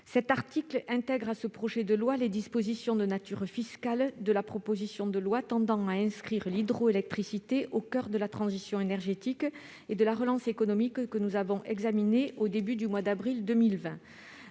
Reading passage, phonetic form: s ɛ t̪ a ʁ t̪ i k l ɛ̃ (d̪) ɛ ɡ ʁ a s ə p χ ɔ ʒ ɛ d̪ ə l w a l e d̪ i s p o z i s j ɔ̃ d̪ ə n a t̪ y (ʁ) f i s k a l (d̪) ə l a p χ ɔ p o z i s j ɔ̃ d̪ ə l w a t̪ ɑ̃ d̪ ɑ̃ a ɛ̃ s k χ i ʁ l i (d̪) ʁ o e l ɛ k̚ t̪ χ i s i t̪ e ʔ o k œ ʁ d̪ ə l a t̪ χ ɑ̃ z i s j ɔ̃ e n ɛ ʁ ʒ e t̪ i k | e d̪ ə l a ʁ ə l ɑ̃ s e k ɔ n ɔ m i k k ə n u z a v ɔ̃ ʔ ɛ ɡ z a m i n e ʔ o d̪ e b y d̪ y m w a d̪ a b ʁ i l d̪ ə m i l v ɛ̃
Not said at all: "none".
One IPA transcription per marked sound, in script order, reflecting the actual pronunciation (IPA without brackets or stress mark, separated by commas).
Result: t̪, ʁ, d̪, d̪